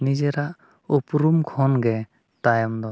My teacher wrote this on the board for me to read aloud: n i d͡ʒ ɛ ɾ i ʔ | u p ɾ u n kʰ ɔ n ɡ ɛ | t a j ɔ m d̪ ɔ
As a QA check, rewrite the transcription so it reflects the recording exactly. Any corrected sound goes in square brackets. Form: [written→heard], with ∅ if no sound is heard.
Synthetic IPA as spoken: n i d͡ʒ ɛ ɾ [i→a] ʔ | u p ɾ u [n→m] kʰ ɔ n ɡ ɛ | t a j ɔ m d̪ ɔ